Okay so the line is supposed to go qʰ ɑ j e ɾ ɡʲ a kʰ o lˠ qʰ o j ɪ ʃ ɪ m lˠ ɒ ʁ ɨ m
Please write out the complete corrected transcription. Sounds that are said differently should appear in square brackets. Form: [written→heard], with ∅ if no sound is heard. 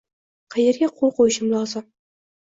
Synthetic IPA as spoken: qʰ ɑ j e ɾ ɡʲ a [kʰ→qʰ] o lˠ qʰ o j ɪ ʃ ɪ m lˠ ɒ [ʁ→z] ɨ m